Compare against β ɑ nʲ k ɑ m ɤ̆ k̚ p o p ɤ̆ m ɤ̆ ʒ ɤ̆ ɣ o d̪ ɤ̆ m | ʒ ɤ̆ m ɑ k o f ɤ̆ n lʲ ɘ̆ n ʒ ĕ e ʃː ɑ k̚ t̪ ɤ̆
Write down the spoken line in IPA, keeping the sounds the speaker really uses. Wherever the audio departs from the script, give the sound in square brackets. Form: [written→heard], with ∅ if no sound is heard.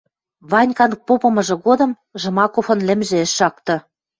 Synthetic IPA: β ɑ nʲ k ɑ [m→n] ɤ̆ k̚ p o p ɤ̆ m ɤ̆ ʒ ɤ̆ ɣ o d̪ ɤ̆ m | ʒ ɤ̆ m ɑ k o f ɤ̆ n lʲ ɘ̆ [n→m] ʒ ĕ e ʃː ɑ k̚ t̪ ɤ̆